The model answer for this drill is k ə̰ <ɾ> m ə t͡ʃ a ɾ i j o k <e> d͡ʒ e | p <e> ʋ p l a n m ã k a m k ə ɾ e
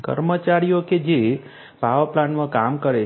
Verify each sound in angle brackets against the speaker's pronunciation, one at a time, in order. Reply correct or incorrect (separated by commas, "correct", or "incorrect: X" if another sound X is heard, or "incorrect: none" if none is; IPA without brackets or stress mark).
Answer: correct, correct, incorrect: a